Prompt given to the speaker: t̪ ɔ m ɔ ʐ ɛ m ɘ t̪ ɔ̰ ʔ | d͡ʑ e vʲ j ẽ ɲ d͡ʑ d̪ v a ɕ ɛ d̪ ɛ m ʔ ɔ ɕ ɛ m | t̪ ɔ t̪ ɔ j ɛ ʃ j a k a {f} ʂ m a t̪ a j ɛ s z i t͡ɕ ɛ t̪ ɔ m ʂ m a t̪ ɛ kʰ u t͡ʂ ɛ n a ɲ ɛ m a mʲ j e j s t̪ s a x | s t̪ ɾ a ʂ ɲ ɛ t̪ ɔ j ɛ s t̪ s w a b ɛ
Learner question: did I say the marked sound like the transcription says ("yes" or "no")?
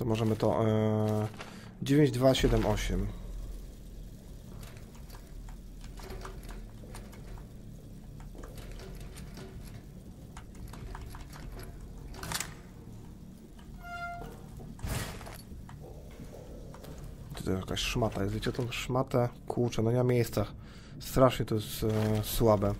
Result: no